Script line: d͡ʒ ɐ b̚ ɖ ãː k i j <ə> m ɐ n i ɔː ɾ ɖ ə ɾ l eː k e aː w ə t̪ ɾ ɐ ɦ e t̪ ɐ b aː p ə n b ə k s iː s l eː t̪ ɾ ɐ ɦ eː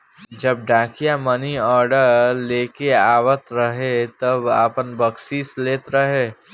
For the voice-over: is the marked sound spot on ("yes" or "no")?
no